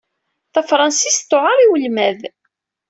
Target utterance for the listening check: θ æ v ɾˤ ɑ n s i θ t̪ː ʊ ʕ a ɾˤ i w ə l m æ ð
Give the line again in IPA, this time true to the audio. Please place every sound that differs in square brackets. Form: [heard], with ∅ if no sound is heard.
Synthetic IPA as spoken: θ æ [f] ɾˤ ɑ n s i [s] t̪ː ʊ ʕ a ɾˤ i w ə l m æ ð